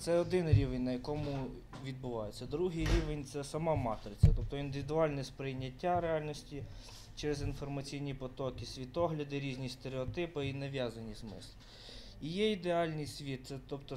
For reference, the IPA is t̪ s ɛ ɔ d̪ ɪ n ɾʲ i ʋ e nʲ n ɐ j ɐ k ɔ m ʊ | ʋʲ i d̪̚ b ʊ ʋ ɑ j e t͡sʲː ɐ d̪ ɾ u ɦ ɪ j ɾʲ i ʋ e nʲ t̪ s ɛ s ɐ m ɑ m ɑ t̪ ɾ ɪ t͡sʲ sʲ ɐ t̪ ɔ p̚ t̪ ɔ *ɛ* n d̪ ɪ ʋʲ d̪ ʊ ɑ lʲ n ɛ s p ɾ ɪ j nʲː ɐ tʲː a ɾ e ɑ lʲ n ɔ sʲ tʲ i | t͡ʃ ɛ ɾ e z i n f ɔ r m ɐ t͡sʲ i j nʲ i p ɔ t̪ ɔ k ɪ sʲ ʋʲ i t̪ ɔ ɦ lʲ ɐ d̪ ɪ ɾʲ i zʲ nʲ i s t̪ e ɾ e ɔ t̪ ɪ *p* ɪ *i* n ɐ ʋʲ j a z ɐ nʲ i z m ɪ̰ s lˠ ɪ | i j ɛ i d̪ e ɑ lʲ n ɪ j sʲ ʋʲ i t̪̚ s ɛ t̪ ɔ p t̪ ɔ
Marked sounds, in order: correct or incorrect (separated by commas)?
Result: incorrect, correct, correct